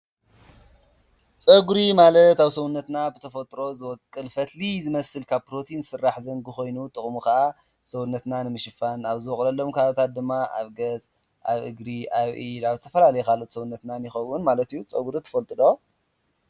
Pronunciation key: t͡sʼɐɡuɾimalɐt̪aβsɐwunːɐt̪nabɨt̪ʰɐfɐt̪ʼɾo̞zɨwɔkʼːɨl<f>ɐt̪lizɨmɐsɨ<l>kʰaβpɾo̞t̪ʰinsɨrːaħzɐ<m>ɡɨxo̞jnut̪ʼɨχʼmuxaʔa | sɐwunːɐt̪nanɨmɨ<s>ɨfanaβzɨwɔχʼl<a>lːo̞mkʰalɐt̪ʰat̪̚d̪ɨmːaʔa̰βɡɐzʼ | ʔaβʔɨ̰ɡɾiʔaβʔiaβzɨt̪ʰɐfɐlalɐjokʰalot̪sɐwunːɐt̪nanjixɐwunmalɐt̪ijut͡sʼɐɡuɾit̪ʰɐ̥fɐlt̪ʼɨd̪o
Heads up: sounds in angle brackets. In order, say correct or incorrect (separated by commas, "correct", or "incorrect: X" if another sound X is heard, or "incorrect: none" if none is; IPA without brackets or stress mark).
correct, correct, incorrect: ŋ, incorrect: ʃ, incorrect: ɐ